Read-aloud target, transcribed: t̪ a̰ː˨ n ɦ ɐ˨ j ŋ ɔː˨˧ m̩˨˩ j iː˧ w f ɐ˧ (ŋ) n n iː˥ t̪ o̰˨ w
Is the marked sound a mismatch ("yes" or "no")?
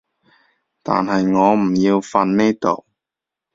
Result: yes